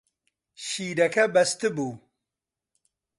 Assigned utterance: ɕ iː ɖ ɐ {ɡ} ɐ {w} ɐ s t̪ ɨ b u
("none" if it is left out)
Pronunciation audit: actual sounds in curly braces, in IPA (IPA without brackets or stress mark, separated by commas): k, b